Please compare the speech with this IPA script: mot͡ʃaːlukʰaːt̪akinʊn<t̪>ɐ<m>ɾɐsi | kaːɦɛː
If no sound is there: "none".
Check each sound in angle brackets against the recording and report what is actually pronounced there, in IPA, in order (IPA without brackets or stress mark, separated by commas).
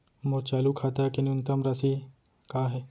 t̪, m